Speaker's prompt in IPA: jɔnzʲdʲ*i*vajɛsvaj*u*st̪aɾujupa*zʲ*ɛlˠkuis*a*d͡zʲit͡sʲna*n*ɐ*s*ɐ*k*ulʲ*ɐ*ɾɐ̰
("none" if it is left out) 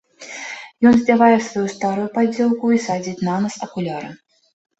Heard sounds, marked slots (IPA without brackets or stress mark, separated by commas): a, u, d͡zʲ, a, n, s, k, a